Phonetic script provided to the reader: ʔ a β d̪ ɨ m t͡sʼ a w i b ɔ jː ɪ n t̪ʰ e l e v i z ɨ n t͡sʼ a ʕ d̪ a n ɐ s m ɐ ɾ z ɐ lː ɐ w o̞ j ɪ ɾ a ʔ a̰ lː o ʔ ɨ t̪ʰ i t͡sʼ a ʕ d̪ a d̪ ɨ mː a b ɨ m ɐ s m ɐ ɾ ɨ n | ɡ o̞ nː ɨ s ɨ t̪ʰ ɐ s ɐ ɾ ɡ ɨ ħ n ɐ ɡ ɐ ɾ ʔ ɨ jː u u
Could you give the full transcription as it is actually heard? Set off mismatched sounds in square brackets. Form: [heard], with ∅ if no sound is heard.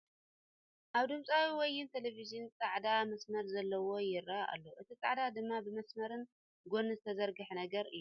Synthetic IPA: ʔ a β d̪ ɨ m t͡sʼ a w i [w] ɔ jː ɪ n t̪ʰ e l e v i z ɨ n t͡sʼ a ʕ d̪ a [m] ɐ s m ɐ ɾ z ɐ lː ɐ w o̞ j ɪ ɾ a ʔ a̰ lː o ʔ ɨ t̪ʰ i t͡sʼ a ʕ d̪ a d̪ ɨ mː a b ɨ m ɐ s m ɐ ɾ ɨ n | ɡ o̞ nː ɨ [z] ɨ t̪ʰ ɐ [z] ɐ ɾ ɡ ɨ ħ n ɐ ɡ ɐ ɾ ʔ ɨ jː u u